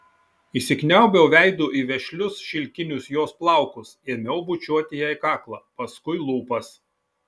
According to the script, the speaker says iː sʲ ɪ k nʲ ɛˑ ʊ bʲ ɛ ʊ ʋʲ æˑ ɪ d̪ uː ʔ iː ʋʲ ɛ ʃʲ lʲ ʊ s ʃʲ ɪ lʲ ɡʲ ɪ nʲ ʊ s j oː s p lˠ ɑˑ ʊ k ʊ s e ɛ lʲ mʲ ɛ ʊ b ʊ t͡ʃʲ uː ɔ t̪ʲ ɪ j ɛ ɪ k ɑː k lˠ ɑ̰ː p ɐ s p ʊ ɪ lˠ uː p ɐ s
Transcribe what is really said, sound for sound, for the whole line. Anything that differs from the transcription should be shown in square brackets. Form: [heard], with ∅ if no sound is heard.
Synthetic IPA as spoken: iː sʲ ɪ k nʲ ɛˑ ʊ bʲ ɛ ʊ ʋʲ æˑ ɪ d̪ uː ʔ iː ʋʲ ɛ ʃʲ lʲ ʊ s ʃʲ ɪ lʲ [kʲ] ɪ nʲ ʊ s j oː s p lˠ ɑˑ ʊ k ʊ s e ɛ [∅] mʲ ɛ ʊ b ʊ t͡ʃʲ [u] ɔ t̪ʲ ɪ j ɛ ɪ k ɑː k lˠ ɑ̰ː p ɐ s [k] ʊ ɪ lˠ uː p ɐ s